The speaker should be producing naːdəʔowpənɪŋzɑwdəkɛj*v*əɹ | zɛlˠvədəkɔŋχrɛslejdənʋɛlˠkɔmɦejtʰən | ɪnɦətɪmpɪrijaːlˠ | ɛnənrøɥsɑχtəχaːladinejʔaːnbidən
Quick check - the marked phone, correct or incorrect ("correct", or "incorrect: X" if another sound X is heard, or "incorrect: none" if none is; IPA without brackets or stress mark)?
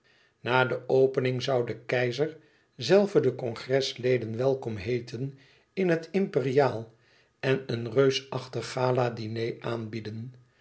incorrect: z